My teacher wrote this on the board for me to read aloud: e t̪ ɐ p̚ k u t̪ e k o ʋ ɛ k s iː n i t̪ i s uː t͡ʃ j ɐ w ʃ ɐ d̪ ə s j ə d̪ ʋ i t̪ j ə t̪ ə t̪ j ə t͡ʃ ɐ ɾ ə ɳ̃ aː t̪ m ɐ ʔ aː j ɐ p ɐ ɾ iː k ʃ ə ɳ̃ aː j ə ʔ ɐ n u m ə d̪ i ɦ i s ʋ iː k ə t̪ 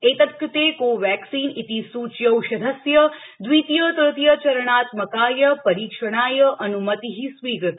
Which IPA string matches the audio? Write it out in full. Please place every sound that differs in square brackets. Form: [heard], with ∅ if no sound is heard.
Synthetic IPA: e t̪ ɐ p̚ k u t̪ e k o ʋ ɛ k s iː n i t̪ i s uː t͡ʃ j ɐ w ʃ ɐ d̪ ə s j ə d̪ ʋ i t̪ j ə t̪ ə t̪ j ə t͡ʃ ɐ ɾ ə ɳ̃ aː t̪ m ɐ [k] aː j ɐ p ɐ ɾ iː k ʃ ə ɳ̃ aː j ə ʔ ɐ n u m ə [t̪] i ɦ i s ʋ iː [ɡ] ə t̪